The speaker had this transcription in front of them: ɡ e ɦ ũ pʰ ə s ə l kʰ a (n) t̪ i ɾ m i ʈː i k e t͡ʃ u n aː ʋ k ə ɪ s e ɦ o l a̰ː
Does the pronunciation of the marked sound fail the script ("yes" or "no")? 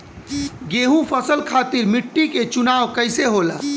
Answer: yes